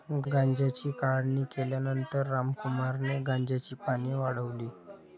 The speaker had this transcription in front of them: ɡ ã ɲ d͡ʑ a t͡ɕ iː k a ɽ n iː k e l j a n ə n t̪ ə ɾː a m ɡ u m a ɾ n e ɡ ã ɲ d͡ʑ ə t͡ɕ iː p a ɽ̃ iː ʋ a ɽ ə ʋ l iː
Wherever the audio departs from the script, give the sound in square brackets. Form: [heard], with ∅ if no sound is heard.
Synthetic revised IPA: ɡ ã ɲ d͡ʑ a t͡ɕ iː k a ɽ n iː k e l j a n ə n t̪ ə ɾː a m [k] u m a ɾ n e ɡ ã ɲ d͡ʑ [a] t͡ɕ iː p a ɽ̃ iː ʋ a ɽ ə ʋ l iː